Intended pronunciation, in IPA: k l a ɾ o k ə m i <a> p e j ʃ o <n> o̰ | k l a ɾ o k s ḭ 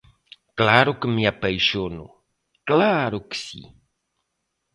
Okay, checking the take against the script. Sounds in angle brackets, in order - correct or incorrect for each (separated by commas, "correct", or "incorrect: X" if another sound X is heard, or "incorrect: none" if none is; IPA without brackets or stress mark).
correct, correct